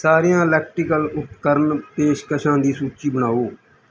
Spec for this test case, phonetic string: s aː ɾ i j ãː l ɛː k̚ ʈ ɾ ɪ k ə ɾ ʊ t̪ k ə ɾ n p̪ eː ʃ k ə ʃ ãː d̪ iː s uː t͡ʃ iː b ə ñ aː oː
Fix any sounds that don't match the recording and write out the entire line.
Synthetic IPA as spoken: s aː ɾ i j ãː l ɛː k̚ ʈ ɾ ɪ k ə l ʊ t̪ k ə ɾ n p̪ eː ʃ k ə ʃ ãː d̪ iː s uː t͡ʃ iː b ə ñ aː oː